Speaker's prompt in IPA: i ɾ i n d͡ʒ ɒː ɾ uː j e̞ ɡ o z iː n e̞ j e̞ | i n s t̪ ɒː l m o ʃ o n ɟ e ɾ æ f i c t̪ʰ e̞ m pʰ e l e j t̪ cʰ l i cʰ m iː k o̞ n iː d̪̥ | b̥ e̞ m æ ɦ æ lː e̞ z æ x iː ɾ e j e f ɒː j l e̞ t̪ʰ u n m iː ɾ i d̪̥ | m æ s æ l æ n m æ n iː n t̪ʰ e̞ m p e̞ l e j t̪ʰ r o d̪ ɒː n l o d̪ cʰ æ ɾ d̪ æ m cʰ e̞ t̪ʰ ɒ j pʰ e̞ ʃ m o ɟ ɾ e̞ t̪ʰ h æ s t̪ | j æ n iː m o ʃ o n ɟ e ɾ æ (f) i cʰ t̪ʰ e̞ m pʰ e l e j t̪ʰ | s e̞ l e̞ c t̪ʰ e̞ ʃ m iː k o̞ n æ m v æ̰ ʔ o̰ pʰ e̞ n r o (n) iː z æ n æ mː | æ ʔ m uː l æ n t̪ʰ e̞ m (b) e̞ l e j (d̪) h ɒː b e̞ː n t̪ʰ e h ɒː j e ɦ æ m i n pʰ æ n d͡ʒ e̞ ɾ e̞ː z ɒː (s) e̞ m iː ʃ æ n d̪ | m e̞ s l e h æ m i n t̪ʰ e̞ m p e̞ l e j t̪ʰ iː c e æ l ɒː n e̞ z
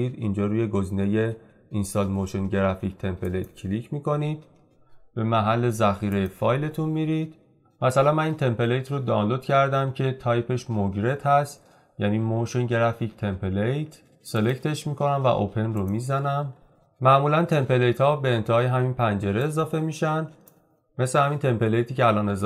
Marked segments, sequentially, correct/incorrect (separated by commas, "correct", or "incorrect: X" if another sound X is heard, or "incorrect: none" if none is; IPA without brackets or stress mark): correct, incorrect: m, incorrect: p, incorrect: t̪, incorrect: f